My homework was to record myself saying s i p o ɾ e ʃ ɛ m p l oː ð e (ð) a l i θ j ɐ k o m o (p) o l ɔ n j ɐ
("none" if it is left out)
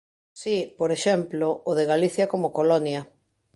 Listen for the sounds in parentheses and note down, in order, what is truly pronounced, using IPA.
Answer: ɣ, k

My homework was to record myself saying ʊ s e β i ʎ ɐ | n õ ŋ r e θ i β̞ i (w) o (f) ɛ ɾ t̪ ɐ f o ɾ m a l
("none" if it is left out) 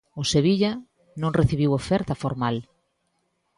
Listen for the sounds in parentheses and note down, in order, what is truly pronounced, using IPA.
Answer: w, f

